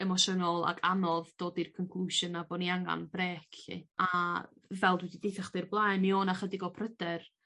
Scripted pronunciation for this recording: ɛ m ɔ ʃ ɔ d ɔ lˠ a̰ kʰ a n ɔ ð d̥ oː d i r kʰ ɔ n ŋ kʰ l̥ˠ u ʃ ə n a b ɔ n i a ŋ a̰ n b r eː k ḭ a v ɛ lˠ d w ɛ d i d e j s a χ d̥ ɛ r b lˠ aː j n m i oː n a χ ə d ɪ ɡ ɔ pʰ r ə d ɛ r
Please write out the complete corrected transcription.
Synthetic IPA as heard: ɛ m ɔ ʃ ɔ n ɔ lˠ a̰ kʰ a n ɔ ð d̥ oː d i r kʰ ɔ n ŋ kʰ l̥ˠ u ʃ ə n a b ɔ n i a ŋ a̰ n b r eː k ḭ a v ɛ lˠ d w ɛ d i d e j θ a χ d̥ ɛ r b lˠ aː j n m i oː n a χ ə d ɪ ɡ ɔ pʰ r ə d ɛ r

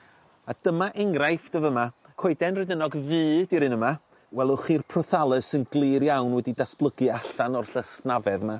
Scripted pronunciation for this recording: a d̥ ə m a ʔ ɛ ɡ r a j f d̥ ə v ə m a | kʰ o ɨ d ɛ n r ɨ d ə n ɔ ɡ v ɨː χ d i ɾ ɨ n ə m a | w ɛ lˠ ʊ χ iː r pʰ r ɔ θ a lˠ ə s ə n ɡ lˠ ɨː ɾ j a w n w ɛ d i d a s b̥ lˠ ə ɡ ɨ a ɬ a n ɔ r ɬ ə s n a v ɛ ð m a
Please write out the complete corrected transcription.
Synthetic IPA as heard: a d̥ ə m a ʔ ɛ ŋ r a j f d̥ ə v ə m a | kʰ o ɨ d ɛ n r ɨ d ə n ɔ ɡ v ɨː d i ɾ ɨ n ə m a | w ɛ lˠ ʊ χ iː r pʰ r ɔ θ a lˠ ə s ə n ɡ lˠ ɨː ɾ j a w n w ɛ d i d a s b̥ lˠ ə ɡ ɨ a ɬ a n ɔ r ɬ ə s n a v ɛ ð m a

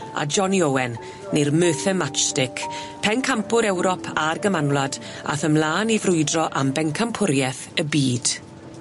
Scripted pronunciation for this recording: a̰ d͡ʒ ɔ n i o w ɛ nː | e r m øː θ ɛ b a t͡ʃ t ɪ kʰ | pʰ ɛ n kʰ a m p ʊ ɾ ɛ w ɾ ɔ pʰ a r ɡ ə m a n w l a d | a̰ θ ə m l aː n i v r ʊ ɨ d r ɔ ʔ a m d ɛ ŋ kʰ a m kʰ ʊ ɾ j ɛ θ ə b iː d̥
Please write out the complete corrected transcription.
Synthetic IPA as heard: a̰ d͡ʒ ɔ n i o w ɛ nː | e r m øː θ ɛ m a t͡ʃ t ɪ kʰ | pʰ ɛ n kʰ a m p ʊ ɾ ɛ w ɾ ɔ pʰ a r ɡ ə m a n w l a d | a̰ θ ə m l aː n i v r ʊ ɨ d r ɔ ʔ a m b ɛ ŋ kʰ a m pʰ ʊ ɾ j ɛ θ ə b iː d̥

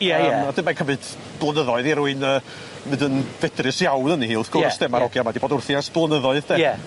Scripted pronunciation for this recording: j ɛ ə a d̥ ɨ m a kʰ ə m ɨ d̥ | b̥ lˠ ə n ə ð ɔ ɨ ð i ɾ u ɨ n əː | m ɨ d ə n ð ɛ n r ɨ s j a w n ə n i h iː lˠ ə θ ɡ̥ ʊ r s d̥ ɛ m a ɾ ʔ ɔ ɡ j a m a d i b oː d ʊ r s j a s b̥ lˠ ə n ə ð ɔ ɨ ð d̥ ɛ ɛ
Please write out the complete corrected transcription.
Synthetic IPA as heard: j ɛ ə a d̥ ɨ m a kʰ ə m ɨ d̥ | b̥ lˠ ə n ə ð ɔ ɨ ð i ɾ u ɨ n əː | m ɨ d ə n v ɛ d r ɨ s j a w n ə n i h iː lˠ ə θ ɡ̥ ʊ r s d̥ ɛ m a ɾ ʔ ɔ ɡ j a m a d i b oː d ʊ r θ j a s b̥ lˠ ə n ə ð ɔ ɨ ð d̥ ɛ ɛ

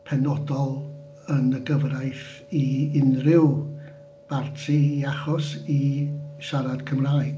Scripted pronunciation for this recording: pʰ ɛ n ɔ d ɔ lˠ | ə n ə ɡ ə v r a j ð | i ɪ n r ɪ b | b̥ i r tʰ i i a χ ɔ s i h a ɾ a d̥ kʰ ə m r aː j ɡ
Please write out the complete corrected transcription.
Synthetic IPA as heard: pʰ ɛ n ɔ d ɔ lˠ | ə n ə ɡ ə v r a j θ | i ɪ n r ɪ w | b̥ a r tʰ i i a χ ɔ s i ʃ a ɾ a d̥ kʰ ə m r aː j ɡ

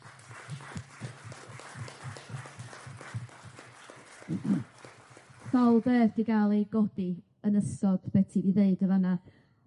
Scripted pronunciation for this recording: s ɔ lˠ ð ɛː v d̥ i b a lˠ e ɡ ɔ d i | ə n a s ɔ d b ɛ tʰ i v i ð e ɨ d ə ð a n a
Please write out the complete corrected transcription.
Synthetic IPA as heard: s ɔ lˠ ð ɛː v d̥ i ɡ a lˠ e ɡ ɔ d i | ə n ə s ɔ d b ɛ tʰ i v i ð e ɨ d ə v a n a

